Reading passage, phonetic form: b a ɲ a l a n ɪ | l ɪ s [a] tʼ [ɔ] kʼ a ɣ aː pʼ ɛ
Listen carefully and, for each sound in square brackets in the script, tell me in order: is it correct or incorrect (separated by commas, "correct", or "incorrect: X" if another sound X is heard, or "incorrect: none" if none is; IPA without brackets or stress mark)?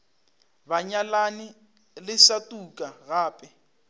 correct, incorrect: u